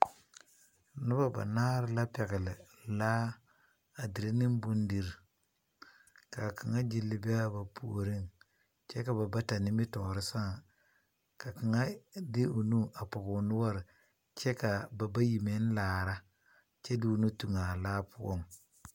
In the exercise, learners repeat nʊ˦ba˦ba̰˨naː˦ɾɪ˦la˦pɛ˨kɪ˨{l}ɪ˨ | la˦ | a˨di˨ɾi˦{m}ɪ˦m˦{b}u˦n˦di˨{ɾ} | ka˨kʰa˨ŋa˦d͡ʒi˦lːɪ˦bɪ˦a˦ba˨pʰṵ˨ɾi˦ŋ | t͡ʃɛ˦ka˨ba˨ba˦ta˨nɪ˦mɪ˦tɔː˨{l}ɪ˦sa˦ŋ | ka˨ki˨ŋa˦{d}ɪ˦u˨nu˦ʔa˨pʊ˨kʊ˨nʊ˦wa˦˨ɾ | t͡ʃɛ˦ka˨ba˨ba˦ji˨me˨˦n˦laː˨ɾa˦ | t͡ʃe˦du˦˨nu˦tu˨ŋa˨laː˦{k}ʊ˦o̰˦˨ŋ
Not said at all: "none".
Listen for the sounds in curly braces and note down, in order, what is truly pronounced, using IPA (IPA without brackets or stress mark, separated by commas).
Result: l, n, b, ɾ, ɾ, d, p